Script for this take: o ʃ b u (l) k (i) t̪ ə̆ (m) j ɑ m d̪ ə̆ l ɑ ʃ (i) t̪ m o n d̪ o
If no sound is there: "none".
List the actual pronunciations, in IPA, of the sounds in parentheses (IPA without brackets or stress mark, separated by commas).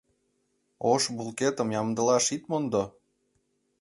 l, e, m, i